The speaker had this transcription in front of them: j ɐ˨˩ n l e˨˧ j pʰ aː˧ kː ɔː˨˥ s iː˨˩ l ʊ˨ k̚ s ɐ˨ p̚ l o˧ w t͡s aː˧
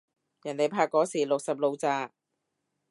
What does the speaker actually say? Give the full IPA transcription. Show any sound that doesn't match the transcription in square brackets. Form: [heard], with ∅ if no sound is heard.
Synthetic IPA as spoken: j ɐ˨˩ n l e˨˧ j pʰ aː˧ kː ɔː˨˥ s iː˨˩ l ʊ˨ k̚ s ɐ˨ p̚ l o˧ w t͡s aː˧